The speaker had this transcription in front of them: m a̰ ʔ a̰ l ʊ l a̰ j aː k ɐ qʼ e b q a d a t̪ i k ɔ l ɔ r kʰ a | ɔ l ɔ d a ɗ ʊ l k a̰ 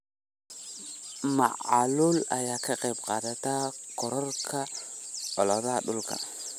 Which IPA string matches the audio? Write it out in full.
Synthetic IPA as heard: m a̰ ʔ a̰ l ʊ l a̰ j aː k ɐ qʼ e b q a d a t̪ a k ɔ ɾ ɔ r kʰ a | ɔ l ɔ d a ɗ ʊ l k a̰

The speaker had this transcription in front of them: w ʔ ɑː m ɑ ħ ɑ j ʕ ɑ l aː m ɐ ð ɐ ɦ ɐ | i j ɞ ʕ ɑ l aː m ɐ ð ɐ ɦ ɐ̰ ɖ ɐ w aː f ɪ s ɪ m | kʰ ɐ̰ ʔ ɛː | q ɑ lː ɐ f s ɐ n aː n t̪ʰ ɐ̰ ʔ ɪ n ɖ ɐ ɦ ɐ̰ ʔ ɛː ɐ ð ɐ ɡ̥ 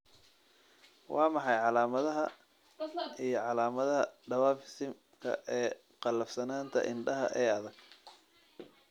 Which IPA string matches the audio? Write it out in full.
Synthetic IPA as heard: w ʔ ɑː m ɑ ħ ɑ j ʕ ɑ l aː m ɐ ð ɐ ɦ ɐ | i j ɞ ʕ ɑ l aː m ɐ ð ɐ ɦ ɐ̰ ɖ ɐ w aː f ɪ s ɪ m | kʰ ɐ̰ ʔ ɛː | q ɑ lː ɐ f s ɐ n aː n t̪ʰ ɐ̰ ʔ ɪ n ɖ ɐ ɦ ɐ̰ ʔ ɛː ɐ ð ɐ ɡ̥

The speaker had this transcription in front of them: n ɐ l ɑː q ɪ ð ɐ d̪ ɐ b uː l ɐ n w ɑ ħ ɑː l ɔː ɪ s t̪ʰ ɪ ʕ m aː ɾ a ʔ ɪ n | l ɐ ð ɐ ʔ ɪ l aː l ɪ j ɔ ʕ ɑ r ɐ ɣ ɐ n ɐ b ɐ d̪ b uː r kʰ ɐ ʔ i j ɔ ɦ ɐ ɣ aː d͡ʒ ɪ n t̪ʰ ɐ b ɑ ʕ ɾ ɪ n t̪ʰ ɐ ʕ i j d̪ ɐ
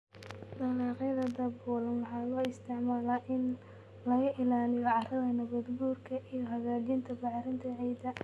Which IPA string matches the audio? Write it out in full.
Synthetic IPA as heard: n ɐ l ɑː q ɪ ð ɐ d̪ ɐ b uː l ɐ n w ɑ ħ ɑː l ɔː ɪ s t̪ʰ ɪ ʕ m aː l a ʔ ɪ n | l ɐ ɣ ɐ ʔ ɪ l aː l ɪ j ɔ ʕ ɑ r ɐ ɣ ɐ n ɐ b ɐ d̪ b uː r kʰ ɐ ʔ i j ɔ ɦ ɐ ɣ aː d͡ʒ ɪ n t̪ʰ ɐ b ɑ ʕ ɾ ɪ n t̪ʰ ɐ ʕ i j d̪ ɐ

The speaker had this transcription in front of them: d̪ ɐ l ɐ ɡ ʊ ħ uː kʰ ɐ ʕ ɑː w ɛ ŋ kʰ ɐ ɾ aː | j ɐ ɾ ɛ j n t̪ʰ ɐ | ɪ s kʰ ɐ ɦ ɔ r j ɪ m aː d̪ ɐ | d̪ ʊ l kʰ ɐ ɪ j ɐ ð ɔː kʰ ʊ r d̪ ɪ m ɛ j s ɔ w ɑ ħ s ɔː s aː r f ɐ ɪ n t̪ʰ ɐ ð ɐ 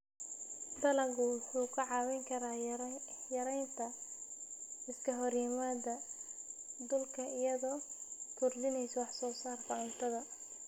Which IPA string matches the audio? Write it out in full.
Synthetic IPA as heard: d̪ ɐ l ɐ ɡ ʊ ħ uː kʰ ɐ ʕ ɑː w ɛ ŋ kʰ ɐ ɾ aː | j ɐ ɾ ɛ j n t̪ʰ ɐ | ɪ s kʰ ɐ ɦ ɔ r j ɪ m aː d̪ ɐ | d̪ ʊ l kʰ ɐ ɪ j ɐ ð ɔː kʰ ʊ r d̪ ɪ n ɛ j s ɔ w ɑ ħ s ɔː s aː r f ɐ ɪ n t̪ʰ ɐ ð ɐ

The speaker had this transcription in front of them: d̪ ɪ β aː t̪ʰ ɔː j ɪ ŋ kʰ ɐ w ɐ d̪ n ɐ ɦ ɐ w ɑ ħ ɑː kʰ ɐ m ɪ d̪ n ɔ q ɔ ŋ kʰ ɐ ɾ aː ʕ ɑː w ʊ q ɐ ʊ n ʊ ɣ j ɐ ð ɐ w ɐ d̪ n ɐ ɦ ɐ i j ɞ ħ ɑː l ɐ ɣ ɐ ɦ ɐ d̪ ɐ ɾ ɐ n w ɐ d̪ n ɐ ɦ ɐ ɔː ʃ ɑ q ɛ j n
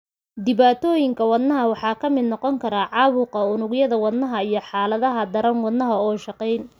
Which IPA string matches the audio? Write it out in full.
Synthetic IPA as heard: d̪ ɪ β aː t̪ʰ ɔː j ɪ ŋ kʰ ɐ w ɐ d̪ n ɐ ɦ ɐ w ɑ ħ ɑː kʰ ɐ m ɪ d̪ n ɔ q ɔ ŋ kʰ ɐ ɾ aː ʕ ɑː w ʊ q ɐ ʊ n ʊ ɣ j ɐ ð ɐ w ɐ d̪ n ɐ ɦ ɐ i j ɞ ħ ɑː l ɐ ð ɐ ɦ ɐ d̪ ɐ ɾ ɐ n w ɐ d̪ n ɐ ɦ ɐ ɔː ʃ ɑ q ɛ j n

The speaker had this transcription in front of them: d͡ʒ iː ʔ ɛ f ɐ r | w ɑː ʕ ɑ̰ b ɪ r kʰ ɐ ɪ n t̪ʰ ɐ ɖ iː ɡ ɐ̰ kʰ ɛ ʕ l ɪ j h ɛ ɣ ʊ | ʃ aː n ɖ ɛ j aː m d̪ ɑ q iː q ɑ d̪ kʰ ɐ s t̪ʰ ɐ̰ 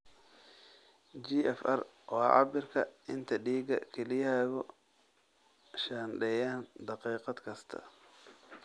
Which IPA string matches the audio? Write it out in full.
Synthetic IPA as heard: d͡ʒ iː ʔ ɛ f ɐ r | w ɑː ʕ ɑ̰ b ɪ r kʰ ɐ ɪ n t̪ʰ ɐ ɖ iː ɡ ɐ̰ kʰ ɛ l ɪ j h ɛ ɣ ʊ | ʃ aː n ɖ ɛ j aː n d̪ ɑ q iː q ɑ d̪ kʰ ɐ s t̪ʰ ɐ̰

